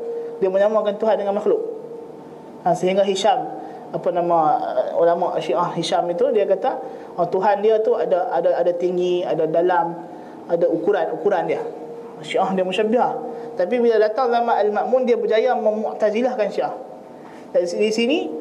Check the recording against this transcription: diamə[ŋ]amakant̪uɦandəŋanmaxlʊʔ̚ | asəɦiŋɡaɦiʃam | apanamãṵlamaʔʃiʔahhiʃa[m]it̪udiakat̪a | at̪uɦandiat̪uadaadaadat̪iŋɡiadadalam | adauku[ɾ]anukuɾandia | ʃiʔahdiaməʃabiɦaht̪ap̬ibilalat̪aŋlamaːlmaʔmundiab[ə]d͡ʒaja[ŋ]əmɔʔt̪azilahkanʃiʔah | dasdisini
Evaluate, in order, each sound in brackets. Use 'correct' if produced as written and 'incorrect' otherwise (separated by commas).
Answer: incorrect, correct, correct, correct, incorrect